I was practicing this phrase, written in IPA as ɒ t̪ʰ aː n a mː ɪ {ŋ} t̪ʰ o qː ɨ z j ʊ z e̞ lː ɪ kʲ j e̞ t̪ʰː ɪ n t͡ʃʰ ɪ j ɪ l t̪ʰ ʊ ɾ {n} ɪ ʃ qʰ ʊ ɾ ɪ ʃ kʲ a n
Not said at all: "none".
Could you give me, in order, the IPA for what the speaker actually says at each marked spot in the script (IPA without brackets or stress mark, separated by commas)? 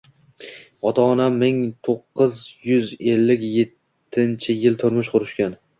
ŋ, m